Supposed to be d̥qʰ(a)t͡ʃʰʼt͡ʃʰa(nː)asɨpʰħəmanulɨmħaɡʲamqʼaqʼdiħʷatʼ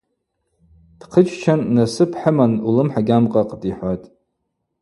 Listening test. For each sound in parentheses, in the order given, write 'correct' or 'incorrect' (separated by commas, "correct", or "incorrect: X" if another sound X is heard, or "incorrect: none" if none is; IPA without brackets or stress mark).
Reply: incorrect: ə, correct